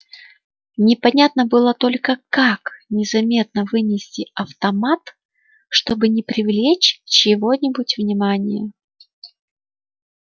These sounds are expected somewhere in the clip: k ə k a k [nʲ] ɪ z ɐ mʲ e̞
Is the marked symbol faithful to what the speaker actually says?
yes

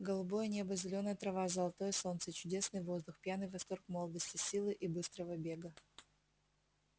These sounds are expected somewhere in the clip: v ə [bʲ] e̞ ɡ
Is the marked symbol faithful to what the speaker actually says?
yes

